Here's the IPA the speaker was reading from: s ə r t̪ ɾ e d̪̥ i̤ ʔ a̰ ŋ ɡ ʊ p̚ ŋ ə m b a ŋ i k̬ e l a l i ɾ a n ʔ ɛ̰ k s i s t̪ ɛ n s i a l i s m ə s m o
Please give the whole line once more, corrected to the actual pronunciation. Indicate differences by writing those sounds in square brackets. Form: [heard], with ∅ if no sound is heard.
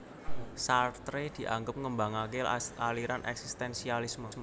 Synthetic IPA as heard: s [a] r t̪ ɾ e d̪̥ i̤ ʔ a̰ ŋ ɡ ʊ p̚ ŋ ə m b a ŋ [a] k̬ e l a l i ɾ a n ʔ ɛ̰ k s i s t̪ ɛ n s i a l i s m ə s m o